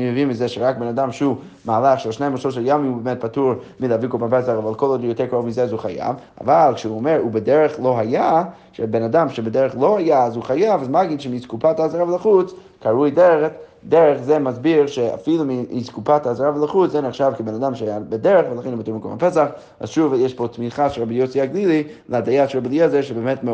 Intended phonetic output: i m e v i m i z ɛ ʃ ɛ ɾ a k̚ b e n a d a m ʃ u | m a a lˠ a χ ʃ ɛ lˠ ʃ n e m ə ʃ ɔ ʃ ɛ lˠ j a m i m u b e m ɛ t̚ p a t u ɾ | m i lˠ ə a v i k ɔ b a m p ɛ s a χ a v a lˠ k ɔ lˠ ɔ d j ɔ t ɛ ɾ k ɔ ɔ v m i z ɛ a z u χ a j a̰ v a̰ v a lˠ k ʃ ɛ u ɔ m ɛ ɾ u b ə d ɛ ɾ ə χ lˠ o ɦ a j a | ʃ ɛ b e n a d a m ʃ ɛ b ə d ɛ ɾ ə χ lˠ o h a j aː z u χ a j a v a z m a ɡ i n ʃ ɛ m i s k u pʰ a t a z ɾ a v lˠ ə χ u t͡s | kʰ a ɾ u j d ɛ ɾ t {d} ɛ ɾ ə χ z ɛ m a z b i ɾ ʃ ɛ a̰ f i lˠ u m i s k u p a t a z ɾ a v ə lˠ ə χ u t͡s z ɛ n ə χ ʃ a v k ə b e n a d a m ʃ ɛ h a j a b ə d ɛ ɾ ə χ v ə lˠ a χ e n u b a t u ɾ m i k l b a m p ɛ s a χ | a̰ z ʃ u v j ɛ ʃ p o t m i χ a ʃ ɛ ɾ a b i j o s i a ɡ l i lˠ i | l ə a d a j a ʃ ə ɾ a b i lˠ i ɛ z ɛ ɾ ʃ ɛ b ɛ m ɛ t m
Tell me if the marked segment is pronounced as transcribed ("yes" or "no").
yes